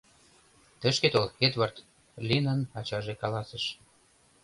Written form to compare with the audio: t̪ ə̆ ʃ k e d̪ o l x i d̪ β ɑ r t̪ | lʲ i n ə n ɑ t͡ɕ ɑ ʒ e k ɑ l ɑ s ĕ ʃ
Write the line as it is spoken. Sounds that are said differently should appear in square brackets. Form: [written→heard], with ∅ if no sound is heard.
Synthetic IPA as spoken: t̪ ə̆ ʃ k e [d̪→t̪] o l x [i→e] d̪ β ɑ r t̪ | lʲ i n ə n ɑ t͡ɕ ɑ ʒ e k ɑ l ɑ s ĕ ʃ

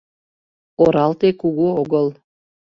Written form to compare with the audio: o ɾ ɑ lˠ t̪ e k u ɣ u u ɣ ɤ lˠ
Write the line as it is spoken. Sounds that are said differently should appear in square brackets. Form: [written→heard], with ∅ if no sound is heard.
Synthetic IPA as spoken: o ɾ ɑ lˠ t̪ e k u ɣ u [u→o] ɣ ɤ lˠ

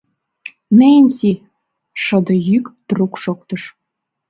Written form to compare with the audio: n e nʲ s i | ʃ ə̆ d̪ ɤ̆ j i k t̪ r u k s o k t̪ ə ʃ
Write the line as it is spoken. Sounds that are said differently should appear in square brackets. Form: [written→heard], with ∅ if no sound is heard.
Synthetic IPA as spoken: n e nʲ s i | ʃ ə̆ d̪ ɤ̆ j [i→y] k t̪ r u k [s→ʃ] o k t̪ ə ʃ

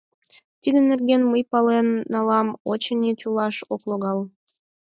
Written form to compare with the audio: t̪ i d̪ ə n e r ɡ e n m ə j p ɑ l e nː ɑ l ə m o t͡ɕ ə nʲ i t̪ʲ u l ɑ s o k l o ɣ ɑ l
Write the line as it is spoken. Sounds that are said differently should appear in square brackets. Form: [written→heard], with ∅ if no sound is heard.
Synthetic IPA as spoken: t̪ i d̪ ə n e r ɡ e n m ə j p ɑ l e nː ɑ l [ə→ɑ] m o t͡ɕ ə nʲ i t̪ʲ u l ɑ [s→ʃ] o k l o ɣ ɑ l

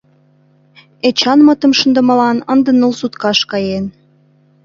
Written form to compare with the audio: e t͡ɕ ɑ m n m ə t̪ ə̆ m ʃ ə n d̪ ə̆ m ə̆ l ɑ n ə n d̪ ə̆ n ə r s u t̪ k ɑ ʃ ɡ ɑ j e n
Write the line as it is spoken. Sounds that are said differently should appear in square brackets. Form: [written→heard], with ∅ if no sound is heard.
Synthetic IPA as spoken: e t͡ɕ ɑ [m→∅] n m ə t̪ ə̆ m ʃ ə n d̪ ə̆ m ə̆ l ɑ n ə n d̪ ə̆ n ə [r→l] s u t̪ k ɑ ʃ [ɡ→k] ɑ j e n

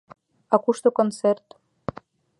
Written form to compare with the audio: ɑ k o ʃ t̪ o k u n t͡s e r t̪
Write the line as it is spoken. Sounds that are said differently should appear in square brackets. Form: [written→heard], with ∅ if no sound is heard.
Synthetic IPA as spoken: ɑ k [o→u] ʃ t̪ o k [u→o] n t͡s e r t̪

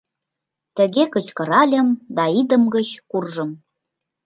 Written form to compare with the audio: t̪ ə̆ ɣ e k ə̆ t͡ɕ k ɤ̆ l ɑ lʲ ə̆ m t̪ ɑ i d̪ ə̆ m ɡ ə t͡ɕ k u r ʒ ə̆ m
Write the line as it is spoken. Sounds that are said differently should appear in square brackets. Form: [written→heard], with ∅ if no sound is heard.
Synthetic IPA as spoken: t̪ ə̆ ɣ e k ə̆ t͡ɕ k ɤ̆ [l→ɾ] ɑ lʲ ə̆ m [t̪→d̪] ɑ i d̪ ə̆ m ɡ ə t͡ɕ k u r ʒ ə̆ m

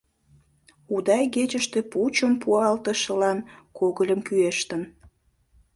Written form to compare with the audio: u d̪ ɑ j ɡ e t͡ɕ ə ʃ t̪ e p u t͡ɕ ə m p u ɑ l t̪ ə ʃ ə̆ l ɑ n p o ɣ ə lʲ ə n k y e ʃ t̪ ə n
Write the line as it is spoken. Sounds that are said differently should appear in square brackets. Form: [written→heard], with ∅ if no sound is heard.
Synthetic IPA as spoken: u d̪ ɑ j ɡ e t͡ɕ ə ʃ t̪ e p u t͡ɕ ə m p u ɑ l t̪ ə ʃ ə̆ l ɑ n [p→k] o ɣ ə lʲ ə [n→m] k y e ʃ t̪ ə n

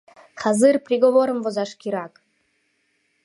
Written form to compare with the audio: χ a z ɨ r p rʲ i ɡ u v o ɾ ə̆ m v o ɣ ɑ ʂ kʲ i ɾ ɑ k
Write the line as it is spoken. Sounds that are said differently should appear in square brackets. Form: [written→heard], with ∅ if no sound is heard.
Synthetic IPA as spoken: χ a z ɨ r p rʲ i ɡ [u→o] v o ɾ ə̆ m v o [ɣ→z] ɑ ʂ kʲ i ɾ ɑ k

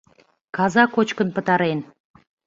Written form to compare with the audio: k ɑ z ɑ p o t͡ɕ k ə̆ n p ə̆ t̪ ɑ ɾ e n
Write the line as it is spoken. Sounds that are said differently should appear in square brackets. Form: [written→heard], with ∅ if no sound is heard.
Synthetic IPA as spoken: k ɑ z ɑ [p→k] o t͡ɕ k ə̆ n p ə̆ t̪ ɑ ɾ e n

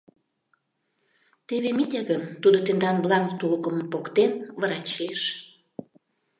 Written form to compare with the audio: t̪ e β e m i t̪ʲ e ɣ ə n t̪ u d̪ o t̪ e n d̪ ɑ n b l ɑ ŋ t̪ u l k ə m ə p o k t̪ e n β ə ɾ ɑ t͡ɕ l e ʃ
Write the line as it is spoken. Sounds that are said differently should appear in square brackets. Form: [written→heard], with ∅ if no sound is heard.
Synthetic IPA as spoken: t̪ e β e m i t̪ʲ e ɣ ə n t̪ u d̪ o t̪ e n d̪ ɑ n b l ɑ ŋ t̪ u l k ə m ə p o k t̪ e n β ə ɾ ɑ t͡ɕ l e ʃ

